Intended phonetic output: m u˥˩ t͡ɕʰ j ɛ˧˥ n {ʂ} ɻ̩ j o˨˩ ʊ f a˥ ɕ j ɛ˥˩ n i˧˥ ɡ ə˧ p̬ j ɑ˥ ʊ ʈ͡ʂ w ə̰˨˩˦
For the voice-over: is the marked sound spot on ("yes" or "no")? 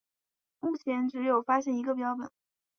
no